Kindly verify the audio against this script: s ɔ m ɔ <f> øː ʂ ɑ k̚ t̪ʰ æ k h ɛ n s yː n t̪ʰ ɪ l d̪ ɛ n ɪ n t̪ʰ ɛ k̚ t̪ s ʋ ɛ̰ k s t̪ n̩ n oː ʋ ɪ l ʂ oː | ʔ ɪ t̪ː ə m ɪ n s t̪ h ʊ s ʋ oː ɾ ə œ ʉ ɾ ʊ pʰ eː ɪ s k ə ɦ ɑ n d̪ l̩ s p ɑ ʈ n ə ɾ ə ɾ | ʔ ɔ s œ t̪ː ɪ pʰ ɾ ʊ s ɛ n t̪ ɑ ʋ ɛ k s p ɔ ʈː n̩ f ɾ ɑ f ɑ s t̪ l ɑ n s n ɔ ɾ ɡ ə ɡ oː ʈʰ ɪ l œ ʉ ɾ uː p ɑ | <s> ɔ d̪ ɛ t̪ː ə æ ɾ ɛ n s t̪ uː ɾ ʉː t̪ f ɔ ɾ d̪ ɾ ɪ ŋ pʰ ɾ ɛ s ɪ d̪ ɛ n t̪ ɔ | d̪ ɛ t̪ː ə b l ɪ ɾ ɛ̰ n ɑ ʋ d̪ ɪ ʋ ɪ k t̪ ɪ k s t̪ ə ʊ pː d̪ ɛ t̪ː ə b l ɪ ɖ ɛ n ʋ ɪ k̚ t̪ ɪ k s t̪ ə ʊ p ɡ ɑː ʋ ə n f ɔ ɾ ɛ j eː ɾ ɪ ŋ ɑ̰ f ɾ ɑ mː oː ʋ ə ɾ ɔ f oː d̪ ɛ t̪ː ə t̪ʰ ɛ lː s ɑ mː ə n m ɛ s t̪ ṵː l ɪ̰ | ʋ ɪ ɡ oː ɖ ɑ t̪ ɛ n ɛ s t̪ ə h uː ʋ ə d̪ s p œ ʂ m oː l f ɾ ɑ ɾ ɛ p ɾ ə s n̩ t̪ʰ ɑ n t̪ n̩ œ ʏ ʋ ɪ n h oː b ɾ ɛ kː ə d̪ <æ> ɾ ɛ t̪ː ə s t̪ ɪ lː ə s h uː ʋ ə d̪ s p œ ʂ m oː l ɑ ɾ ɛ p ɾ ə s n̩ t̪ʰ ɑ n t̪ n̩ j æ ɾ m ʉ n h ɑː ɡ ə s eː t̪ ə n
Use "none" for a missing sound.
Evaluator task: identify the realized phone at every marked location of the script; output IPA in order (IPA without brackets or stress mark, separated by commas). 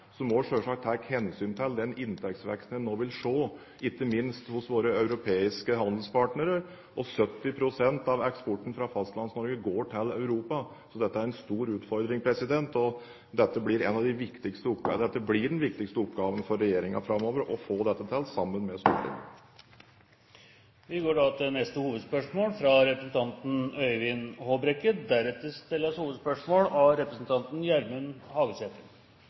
ʂ, s, æ